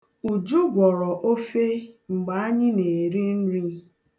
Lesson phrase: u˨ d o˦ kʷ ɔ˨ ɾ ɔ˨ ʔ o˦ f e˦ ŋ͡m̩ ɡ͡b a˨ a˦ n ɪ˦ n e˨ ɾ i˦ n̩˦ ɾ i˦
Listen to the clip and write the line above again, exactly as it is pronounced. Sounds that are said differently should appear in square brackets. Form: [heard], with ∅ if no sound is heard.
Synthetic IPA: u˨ [d͡ʒ] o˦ [ɡʷ] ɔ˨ ɾ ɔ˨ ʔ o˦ f e˦ ŋ͡m̩ ɡ͡b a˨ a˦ [ɲ] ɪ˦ n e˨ ɾ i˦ n̩˦ ɾ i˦